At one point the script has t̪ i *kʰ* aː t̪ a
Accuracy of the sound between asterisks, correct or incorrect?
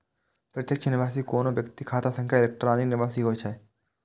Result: correct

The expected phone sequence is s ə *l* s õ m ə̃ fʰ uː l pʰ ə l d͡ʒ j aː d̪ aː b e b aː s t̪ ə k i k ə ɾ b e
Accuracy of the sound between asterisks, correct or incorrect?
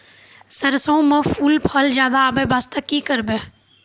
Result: incorrect: ɾ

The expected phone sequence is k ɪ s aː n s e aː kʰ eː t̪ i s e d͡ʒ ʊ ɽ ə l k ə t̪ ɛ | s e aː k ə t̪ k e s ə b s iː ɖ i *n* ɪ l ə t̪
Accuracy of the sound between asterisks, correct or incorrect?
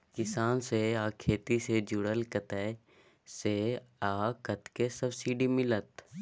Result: incorrect: m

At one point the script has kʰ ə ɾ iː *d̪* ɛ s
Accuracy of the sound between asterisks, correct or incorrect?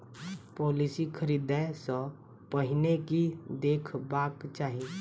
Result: correct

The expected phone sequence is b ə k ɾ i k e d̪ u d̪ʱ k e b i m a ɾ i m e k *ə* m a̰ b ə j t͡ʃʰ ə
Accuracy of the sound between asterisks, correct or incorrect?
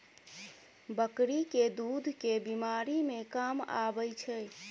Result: incorrect: a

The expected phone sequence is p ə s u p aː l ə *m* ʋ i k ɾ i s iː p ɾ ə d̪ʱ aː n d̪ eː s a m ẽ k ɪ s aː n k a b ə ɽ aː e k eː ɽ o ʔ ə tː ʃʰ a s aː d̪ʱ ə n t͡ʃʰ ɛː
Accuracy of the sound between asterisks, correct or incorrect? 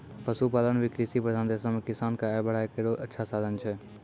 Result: incorrect: n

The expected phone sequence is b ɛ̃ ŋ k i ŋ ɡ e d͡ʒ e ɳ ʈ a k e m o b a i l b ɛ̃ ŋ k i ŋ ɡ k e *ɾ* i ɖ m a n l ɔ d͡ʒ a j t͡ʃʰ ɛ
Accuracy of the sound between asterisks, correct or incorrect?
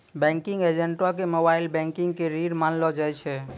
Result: correct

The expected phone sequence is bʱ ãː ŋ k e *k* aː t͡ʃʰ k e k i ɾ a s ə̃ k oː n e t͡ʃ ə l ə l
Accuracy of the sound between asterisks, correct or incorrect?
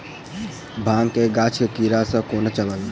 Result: incorrect: ɡ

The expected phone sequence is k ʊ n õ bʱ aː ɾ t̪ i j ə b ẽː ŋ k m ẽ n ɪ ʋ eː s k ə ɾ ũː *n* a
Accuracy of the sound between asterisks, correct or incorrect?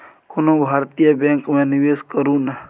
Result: correct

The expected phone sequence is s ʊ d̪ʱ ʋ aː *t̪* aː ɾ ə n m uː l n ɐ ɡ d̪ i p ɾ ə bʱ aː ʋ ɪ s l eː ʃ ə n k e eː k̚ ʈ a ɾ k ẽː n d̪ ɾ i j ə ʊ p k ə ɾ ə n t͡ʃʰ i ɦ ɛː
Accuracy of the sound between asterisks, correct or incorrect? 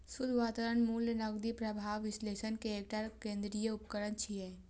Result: correct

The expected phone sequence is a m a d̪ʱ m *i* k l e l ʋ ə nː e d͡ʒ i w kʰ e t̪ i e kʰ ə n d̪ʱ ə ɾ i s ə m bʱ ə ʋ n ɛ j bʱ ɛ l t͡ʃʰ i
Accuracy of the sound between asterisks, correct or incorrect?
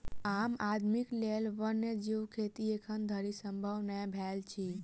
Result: correct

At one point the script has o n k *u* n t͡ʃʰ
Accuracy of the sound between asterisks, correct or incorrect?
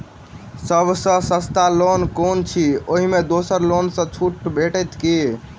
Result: incorrect: o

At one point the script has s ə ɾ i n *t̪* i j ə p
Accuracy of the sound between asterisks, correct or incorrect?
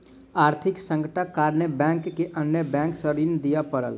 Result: incorrect: d̪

